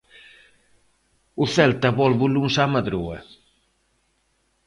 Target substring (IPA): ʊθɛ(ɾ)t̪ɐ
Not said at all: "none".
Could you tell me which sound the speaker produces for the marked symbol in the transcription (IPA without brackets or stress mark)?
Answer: l